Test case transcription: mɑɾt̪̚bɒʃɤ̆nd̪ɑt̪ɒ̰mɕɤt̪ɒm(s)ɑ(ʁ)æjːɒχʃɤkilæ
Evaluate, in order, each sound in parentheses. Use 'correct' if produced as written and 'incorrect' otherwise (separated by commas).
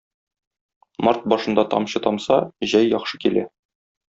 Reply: correct, incorrect